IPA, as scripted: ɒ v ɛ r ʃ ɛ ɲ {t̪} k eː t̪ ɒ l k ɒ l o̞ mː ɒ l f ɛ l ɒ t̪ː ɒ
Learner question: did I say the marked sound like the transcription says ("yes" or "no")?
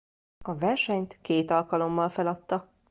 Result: yes